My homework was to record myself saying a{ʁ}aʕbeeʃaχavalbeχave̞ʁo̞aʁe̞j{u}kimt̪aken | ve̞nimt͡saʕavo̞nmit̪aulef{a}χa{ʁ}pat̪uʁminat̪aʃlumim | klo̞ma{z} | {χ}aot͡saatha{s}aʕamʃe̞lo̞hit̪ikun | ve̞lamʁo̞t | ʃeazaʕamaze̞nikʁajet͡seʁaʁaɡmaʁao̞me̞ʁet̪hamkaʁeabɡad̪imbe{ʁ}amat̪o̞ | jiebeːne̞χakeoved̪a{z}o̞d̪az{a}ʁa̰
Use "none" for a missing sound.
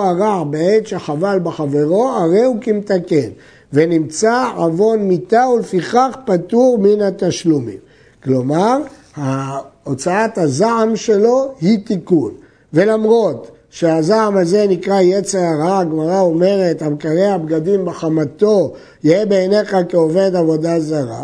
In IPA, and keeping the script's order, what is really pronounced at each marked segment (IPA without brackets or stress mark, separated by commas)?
ʁ, u, i, χ, ʁ, h, z, χ, v, a